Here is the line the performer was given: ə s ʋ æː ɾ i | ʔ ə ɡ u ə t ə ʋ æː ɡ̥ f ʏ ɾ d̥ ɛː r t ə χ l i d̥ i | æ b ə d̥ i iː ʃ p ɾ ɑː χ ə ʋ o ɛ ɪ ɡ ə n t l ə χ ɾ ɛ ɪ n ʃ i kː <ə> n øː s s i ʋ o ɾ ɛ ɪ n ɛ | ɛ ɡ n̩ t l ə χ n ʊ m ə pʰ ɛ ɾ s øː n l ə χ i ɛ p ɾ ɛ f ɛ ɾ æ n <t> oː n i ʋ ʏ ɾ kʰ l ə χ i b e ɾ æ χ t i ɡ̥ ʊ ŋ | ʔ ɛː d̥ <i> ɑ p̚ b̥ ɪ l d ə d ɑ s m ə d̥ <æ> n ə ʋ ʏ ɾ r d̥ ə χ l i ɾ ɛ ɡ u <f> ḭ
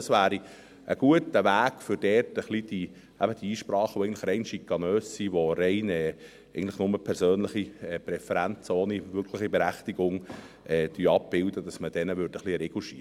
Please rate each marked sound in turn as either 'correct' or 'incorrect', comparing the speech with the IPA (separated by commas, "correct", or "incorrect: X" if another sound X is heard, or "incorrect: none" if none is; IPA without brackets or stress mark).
incorrect: ɑ, incorrect: t͡s, incorrect: y, incorrect: ɛ, incorrect: ʃ